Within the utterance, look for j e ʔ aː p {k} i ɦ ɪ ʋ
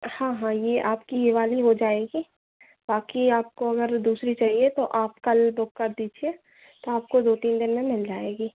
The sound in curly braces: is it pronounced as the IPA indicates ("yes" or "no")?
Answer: yes